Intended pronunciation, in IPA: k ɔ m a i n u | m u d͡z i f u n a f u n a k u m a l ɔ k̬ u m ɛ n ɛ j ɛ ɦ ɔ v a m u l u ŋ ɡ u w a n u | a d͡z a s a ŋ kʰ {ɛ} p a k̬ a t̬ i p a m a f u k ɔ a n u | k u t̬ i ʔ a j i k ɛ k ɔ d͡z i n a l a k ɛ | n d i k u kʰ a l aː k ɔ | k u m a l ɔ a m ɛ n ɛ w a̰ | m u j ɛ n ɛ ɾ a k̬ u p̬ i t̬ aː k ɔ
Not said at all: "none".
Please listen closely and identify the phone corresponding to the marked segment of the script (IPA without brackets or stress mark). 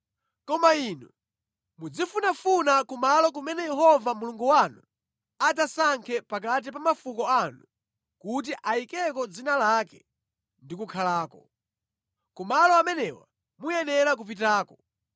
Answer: ɛ